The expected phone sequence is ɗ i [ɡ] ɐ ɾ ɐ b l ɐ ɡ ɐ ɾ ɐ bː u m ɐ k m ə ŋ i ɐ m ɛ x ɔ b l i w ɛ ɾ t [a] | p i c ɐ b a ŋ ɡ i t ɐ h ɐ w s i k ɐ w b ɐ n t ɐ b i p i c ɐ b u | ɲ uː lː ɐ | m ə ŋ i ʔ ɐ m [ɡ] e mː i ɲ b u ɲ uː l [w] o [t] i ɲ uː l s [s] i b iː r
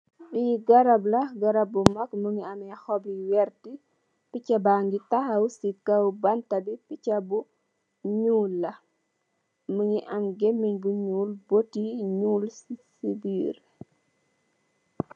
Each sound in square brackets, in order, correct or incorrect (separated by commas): correct, incorrect, correct, incorrect, correct, correct